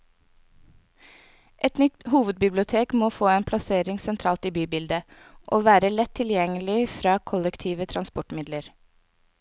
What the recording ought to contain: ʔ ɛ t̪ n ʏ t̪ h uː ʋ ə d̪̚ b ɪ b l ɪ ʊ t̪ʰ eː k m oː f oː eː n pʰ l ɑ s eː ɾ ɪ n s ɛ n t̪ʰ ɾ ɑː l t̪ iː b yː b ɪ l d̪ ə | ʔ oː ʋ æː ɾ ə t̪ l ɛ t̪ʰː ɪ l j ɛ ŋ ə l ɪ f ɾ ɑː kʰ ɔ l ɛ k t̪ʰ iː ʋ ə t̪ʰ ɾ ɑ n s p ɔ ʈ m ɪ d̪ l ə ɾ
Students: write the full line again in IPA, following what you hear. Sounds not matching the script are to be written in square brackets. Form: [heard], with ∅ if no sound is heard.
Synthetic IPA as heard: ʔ ɛ t̪ n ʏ t̪ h uː ʋ ə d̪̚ b ɪ b l ɪ ʊ t̪ʰ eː k m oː f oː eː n pʰ l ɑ s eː ɾ ɪ [ŋ] s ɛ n t̪ʰ ɾ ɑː l t̪ iː b yː b ɪ l d̪ ə | ʔ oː ʋ æː ɾ ə [∅] l ɛ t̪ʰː ɪ l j ɛ ŋ ə l ɪ f ɾ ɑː kʰ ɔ l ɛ k t̪ʰ iː ʋ ə t̪ʰ ɾ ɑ n s p ɔ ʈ m ɪ d̪ l ə ɾ